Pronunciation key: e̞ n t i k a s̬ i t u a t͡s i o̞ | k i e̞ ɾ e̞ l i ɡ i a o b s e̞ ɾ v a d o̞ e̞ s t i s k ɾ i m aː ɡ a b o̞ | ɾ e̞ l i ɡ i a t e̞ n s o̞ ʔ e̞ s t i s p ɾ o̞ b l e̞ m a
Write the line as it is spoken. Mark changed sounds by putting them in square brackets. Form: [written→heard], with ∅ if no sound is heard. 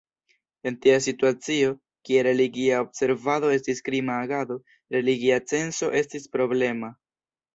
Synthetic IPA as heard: e̞ n t i [k→∅] a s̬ i t u a t͡s i o̞ | k i e̞ ɾ e̞ l i ɡ i a o b s e̞ ɾ v a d o̞ e̞ s t i s k ɾ i m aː ɡ a [b→d] o̞ | ɾ e̞ l i ɡ i a [t→t͡s] e̞ n s o̞ ʔ e̞ s t i s p ɾ o̞ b l e̞ m a